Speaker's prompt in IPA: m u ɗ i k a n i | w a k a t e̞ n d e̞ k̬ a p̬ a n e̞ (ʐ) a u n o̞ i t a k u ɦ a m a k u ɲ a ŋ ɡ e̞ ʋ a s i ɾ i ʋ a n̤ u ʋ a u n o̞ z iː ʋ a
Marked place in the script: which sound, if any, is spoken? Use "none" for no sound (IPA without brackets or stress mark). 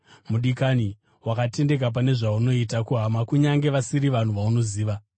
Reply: ʐ